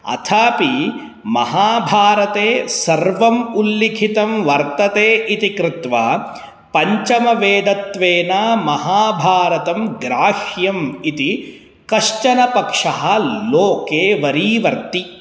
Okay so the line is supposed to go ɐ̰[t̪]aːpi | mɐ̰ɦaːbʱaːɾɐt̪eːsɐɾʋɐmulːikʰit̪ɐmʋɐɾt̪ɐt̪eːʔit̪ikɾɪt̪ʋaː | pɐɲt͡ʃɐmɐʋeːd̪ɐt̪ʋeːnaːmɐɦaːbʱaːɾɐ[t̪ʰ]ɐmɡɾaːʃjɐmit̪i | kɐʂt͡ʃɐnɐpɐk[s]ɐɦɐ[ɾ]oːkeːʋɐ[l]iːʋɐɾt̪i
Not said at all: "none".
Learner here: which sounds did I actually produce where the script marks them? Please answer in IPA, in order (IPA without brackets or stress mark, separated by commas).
t̪ʰ, t̪, ʂ, l, ɾ